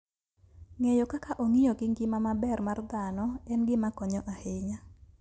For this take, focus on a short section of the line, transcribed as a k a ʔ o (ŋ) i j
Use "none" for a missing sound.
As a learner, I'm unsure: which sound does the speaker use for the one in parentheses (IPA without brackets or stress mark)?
ŋ